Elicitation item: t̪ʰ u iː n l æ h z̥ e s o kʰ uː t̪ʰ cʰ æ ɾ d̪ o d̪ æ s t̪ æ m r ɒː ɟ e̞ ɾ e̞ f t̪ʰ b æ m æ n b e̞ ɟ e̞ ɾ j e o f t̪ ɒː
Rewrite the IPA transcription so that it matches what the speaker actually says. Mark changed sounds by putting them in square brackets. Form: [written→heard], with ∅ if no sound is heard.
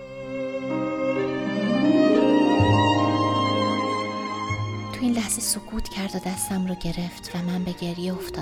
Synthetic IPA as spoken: t̪ʰ u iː n l æ h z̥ e s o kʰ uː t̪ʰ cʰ æ ɾ d̪ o d̪ æ s t̪ æ m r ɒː ɟ e̞ ɾ e̞ f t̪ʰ [b→v] æ m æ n b e̞ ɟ e̞ ɾ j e o f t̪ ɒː